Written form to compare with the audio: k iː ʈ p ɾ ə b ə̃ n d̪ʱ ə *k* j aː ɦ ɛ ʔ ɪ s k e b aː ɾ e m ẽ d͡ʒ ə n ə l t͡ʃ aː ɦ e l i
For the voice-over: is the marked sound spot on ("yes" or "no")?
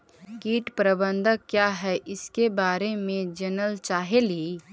yes